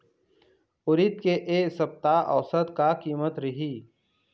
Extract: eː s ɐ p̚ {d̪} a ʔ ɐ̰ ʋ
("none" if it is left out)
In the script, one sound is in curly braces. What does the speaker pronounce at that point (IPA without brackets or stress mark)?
t̪